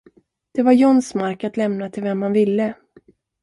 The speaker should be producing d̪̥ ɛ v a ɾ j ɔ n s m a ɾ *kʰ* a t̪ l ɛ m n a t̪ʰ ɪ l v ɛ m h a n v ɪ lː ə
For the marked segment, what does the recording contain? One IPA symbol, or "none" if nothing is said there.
k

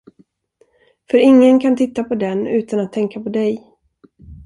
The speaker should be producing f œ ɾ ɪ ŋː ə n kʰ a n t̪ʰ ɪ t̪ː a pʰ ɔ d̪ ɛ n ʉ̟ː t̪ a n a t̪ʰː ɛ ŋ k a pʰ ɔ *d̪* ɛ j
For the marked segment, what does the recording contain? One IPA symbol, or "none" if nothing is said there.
d̪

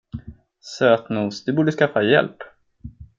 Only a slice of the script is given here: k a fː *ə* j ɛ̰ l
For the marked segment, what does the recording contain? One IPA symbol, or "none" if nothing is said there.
a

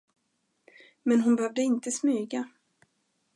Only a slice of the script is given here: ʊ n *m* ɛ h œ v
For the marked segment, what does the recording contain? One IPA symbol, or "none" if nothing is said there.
b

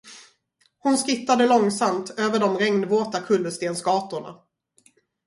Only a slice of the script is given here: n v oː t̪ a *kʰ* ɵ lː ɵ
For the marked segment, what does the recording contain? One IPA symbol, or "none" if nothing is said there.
kʰ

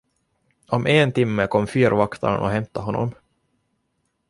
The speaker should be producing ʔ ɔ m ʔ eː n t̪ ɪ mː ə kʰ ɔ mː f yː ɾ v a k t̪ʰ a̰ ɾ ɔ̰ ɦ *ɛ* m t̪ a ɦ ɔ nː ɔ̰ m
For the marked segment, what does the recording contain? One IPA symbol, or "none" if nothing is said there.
ɛ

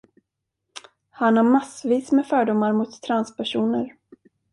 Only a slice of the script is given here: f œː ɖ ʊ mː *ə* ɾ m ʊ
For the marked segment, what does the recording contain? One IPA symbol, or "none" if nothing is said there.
a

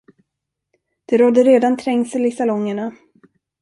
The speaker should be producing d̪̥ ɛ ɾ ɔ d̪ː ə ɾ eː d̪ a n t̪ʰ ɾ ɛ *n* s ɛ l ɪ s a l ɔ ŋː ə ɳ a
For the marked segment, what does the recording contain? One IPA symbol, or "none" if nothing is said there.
ŋ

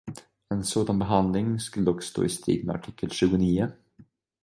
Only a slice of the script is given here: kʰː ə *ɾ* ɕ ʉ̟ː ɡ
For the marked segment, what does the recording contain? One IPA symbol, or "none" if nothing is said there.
l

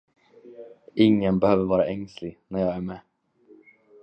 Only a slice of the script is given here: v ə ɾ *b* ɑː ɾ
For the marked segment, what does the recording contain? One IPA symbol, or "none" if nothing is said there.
v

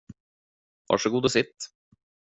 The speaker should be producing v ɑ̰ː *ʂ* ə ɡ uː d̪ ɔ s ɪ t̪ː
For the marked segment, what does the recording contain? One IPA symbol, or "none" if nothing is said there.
ʂ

